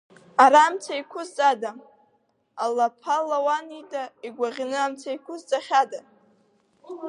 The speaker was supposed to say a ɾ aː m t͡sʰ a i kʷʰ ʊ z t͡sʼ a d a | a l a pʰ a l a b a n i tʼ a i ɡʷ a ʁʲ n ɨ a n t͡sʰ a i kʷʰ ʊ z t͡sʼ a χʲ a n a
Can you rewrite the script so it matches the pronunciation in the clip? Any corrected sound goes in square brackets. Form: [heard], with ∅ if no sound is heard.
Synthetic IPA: a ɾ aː m t͡sʰ a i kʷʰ ʊ z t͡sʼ a d a | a l a pʰ a l a [w] a n i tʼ a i ɡʷ a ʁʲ n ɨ a [m] t͡sʰ a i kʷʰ ʊ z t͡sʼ a χʲ a [d] a

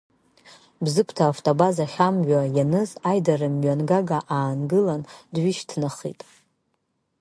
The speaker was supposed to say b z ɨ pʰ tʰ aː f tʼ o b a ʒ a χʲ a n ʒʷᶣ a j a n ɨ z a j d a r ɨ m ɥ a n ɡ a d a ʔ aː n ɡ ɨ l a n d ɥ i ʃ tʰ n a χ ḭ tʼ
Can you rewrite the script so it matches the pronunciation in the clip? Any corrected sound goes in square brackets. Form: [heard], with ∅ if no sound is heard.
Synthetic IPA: b z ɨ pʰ tʰ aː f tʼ o b a [z] a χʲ a [m] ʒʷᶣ a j a n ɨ z a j d a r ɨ m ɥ a n ɡ a [ɡ] a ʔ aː n ɡ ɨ l a n d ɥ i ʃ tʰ n a χ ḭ tʼ

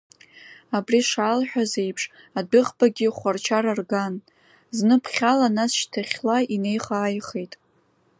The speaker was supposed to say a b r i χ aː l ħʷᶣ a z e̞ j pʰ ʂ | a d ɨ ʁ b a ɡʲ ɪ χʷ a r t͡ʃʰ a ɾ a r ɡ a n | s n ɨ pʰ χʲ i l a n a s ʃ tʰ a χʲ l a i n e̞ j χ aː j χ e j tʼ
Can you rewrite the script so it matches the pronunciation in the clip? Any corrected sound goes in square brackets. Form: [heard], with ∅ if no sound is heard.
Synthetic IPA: a b r i [ʂ] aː l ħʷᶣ a z e̞ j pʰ ʂ | a d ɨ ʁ b a ɡʲ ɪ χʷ a r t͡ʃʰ a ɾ a r ɡ a n | [z] n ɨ pʰ χʲ [a] l a n a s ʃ tʰ a χʲ l a i n e̞ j χ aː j χ e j tʼ

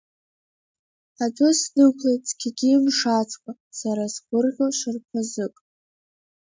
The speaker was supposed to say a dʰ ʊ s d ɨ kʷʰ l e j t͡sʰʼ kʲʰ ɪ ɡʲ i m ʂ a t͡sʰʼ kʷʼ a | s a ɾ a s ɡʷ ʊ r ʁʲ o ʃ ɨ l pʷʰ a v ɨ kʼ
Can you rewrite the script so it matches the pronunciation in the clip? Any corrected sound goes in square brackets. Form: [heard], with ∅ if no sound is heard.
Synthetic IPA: a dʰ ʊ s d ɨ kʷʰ l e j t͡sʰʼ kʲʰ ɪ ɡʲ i m ʂ a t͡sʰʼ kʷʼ a | s a ɾ a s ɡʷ ʊ r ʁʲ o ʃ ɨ [r] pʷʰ a [z] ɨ kʼ

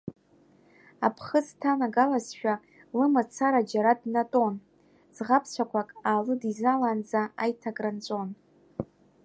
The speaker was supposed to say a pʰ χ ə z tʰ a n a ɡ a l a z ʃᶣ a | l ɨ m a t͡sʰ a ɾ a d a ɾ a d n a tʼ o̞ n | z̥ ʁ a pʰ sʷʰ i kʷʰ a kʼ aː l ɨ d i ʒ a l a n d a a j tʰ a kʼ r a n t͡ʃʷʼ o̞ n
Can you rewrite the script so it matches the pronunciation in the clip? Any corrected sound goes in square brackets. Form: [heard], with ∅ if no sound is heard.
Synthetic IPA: a pʰ χ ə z tʰ a n a ɡ a l a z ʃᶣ a | l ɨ m a t͡sʰ a ɾ a [d͡ʒ] a ɾ a d n a tʼ o̞ n | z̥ ʁ a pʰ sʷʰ [a] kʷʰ a kʼ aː l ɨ d i [z] a l a n [d͡z] a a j tʰ a kʼ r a n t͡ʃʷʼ o̞ n

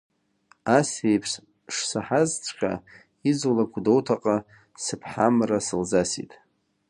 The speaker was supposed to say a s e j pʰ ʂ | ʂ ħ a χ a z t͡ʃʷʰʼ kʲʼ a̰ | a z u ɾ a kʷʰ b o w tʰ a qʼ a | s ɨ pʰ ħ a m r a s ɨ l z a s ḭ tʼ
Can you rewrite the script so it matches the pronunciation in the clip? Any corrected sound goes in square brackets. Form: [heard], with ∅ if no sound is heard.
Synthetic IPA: a s e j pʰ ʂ | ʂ [s] a [ħ] a z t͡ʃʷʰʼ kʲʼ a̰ | [i] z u [l] a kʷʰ [d] o w tʰ a qʼ a | s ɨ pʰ ħ a m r a s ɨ l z a s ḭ tʼ

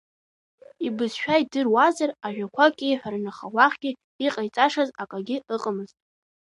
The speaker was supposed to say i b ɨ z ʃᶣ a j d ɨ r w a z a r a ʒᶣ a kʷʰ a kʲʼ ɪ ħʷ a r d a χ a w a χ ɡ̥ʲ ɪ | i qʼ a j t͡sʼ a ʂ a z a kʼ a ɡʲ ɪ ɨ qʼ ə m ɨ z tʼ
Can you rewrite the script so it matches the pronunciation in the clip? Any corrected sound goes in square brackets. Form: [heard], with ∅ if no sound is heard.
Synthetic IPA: i b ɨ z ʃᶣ a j d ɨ r w a z a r a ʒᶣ a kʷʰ a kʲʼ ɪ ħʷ a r [n] a χ a w a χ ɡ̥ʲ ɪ | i qʼ a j t͡sʼ a ʂ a z a kʼ a ɡʲ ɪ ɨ qʼ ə m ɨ z tʼ

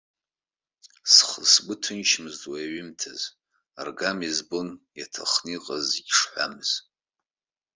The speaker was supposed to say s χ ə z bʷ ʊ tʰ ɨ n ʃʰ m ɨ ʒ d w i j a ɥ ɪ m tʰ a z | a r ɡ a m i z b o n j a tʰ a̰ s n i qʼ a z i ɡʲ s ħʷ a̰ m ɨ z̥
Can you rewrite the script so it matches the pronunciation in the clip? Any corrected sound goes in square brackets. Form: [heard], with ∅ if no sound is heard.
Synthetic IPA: s χ ə [s] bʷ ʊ tʰ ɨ n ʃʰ m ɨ [z] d w [a] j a ɥ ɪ m tʰ a z | a r ɡ a m i z b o n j a tʰ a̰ [χ] n i qʼ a z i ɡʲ [ʂ] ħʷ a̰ m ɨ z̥

